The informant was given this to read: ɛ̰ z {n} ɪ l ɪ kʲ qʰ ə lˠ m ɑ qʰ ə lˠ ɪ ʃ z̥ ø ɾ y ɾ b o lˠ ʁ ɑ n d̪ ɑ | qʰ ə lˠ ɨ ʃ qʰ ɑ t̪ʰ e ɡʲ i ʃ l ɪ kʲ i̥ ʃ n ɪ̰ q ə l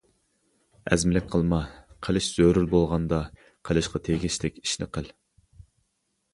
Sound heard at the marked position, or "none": m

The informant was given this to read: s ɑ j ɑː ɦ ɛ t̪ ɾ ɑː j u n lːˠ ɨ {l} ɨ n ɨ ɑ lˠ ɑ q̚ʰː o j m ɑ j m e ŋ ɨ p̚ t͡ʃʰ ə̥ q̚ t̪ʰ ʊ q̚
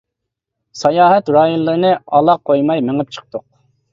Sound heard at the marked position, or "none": ɾ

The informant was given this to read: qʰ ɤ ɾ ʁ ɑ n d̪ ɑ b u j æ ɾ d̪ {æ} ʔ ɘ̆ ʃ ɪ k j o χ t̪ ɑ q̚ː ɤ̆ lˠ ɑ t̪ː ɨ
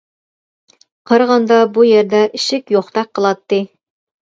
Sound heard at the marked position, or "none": æ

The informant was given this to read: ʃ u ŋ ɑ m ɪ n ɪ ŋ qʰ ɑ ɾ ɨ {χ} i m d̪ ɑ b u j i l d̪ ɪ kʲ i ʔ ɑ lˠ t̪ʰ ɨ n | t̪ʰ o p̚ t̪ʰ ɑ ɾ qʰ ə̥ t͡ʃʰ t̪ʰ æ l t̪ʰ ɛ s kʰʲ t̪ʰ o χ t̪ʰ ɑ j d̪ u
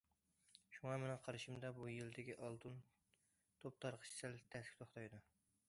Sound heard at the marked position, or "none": ʃ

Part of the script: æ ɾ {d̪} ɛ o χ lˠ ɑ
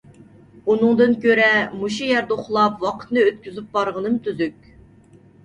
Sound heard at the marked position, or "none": d̪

